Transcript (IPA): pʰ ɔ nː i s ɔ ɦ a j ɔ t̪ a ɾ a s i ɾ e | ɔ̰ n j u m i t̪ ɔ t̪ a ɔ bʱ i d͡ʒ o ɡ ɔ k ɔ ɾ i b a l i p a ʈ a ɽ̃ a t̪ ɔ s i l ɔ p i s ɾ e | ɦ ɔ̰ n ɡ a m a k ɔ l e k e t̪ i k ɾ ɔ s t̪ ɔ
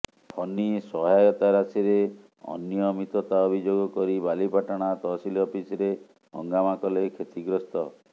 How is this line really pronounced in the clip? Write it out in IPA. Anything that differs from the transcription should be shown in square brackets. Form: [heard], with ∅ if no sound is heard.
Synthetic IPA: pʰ ɔ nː i s ɔ ɦ a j ɔ t̪ a ɾ a s i ɾ e | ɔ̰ n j [ɔ] m i t̪ ɔ t̪ a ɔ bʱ i d͡ʒ o ɡ ɔ k ɔ ɾ i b a l i p a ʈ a ɽ̃ a t̪ ɔ s i l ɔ p i s ɾ e | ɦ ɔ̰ [ŋ] ɡ a m a k ɔ l e [kʰ] e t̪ i [ɡ] ɾ ɔ s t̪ ɔ